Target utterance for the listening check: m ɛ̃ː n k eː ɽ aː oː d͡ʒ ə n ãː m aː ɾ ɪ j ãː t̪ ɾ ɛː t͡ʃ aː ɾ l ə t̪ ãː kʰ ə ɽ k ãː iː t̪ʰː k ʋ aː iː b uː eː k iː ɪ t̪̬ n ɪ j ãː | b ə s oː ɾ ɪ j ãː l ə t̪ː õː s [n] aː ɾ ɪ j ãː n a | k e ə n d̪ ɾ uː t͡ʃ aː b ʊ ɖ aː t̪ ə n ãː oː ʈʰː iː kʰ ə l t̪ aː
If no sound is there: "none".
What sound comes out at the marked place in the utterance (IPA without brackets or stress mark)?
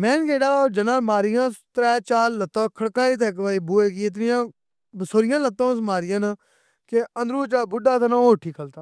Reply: m